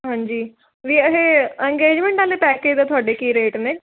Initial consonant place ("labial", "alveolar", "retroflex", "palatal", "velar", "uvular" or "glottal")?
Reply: glottal